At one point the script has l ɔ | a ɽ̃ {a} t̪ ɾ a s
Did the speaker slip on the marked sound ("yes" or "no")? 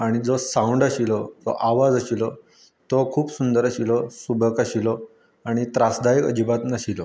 yes